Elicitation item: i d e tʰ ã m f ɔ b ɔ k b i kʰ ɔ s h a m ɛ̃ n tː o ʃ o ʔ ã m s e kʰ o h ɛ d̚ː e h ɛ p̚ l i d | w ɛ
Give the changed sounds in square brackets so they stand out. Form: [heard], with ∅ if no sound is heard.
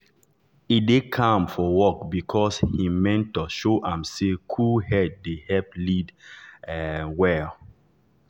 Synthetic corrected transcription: i d e [kʰ] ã m f ɔ [w] ɔ k b i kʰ ɔ s h [i] m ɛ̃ n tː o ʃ o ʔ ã m s e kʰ [u] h ɛ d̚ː e h ɛ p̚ l i d | w ɛ